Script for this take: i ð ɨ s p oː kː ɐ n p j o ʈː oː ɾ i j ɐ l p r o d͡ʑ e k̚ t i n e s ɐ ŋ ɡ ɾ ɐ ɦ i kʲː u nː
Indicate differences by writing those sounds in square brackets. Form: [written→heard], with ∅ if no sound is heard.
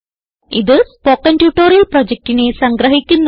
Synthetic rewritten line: i ð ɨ s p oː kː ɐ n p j [o→u] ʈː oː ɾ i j ɐ l p r o d͡ʑ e k̚ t i n e s ɐ ŋ ɡ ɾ ɐ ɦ i kʲː u nː